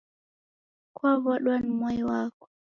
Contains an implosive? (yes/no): yes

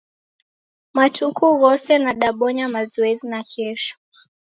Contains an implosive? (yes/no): yes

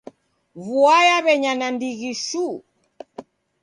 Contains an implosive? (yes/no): no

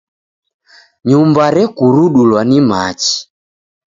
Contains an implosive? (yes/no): yes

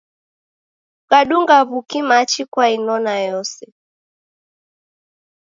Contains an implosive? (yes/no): yes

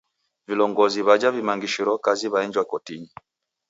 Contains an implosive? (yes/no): no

